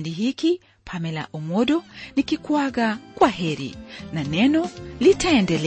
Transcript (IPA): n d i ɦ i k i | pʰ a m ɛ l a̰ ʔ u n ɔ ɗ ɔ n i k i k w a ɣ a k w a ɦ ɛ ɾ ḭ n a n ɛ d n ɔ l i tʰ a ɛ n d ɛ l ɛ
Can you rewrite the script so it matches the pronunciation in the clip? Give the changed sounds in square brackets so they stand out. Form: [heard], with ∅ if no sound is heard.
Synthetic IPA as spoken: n d i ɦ i k i | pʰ a m ɛ l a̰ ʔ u [m] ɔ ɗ ɔ n i k i k w a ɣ a k w a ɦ ɛ ɾ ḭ n a n ɛ [∅] n ɔ l i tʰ a ɛ n d ɛ l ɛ